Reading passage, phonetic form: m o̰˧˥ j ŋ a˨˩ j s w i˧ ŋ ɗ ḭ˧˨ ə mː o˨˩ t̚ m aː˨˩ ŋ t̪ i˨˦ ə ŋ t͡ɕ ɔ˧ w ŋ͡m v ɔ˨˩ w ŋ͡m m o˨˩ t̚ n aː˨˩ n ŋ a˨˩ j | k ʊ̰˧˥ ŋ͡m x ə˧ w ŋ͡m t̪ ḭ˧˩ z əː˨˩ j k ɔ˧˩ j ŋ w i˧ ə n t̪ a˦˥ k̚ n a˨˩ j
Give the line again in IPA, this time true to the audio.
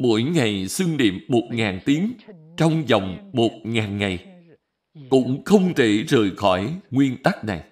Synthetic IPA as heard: m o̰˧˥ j ŋ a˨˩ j s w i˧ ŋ ɗ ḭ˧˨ ə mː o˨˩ t̚ ŋ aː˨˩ n t̪ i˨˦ ə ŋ t͡ɕ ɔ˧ w ŋ͡m z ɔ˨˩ w ŋ͡m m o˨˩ t̚ ŋ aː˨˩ n ŋ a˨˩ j | k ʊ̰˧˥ ŋ͡m x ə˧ w ŋ͡m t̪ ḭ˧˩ z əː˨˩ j x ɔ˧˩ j ŋ w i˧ ə n t̪ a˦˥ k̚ n a˨˩ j